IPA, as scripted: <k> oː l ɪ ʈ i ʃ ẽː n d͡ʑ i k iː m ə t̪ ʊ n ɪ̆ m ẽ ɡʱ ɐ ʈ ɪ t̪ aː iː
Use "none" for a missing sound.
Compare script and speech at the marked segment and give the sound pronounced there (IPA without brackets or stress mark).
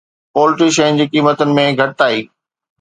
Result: p